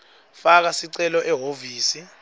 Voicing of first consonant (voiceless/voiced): voiceless